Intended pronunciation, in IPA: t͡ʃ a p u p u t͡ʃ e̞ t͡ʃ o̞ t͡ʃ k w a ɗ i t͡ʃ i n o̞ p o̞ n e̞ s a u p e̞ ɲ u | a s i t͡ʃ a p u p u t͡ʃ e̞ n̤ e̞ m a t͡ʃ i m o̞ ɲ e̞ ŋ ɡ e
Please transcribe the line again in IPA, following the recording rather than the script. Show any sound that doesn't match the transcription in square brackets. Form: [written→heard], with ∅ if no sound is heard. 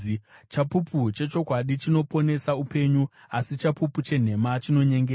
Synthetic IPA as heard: t͡ʃ a p u p u t͡ʃ e̞ t͡ʃ o̞ [t͡ʃ→∅] k w a ɗ i t͡ʃ i n o̞ p o̞ n e̞ s a u p e̞ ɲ u | a s i t͡ʃ a p u p u t͡ʃ e̞ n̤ e̞ m a t͡ʃ i [m→n] o̞ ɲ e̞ ŋ ɡ e

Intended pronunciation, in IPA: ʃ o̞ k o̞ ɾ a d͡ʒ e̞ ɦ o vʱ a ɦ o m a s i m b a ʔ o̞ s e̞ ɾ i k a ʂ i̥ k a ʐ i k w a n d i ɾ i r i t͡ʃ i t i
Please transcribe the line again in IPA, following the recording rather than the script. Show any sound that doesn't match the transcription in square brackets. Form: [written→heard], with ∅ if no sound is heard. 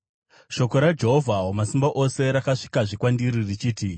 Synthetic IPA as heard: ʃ o̞ k o̞ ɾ a d͡ʒ e̞ ɦ o vʱ a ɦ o m a s i m b a ʔ o̞ s e̞ ɾ [i→a] k a ʂ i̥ k a ʐ i k w a n d i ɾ i r i t͡ʃ [i→iː] t i

